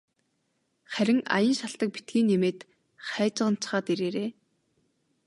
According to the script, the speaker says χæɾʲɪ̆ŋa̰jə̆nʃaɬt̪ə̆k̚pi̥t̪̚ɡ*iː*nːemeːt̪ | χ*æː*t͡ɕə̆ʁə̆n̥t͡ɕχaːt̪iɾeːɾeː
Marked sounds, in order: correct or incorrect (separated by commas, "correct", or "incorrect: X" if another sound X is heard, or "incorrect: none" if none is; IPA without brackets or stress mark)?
correct, correct